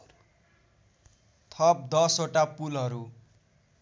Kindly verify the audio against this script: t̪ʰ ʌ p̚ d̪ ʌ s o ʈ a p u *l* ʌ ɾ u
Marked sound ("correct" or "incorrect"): correct